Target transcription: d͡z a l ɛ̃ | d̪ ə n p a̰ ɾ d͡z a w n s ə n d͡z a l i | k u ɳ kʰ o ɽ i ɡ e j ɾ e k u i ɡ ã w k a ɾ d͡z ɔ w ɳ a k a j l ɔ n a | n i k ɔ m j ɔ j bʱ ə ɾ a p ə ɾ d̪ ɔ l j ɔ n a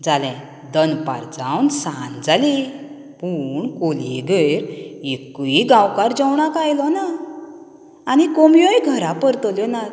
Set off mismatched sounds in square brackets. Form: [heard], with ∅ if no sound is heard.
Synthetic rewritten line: d͡z a l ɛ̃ | d̪ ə n p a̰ ɾ d͡z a w n s [a] n d͡z a l i | [p] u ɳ [k] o [l] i ɡ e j ɾ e k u i ɡ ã w k a ɾ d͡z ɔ w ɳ a k a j l ɔ n a | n i k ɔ m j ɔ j [ɡʱ] ə ɾ a p ə ɾ [t̪] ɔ l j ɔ n a